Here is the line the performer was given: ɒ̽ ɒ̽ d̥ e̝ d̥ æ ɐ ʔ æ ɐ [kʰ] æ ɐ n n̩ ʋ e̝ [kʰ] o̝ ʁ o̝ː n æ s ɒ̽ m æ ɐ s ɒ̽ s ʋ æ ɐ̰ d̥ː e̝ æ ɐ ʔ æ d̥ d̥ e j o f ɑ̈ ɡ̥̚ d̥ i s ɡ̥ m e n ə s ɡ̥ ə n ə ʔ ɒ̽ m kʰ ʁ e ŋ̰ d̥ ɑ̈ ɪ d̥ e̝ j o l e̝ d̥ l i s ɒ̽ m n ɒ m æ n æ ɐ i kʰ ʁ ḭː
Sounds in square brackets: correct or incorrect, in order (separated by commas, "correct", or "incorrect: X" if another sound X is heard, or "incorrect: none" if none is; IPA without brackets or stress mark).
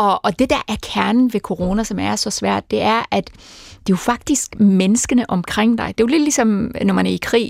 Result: correct, correct